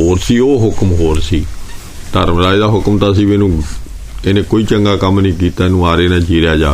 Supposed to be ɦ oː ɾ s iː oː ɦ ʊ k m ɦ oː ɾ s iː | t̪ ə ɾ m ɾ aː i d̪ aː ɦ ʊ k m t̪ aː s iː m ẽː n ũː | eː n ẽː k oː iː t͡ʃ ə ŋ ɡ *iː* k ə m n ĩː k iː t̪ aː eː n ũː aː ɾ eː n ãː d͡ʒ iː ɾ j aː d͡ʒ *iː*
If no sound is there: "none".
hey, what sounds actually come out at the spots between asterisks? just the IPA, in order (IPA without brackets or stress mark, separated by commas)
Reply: aː, aː